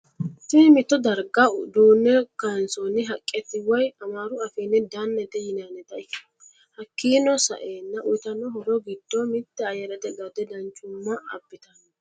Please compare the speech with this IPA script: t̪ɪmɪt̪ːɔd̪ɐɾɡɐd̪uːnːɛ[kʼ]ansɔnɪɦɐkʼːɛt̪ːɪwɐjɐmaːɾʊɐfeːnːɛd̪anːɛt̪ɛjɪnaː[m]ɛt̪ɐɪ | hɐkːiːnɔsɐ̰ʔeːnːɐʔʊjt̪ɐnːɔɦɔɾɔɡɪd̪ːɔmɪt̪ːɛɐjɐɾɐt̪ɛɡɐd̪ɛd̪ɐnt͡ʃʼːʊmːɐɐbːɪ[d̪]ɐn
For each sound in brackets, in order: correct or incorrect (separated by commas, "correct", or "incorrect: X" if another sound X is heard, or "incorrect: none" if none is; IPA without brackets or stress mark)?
incorrect: k, incorrect: n, incorrect: t̪